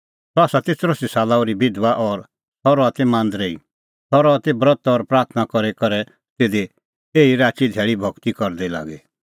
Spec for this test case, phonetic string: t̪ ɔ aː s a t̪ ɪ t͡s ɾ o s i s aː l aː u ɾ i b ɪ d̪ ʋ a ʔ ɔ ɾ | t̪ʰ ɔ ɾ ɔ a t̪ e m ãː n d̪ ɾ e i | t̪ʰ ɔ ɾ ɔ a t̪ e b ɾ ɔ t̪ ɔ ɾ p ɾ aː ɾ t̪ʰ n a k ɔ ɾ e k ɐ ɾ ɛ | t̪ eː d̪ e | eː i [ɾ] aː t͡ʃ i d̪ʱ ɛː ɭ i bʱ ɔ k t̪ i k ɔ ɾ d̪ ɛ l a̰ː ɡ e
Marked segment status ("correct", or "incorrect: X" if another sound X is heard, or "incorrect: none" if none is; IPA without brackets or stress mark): correct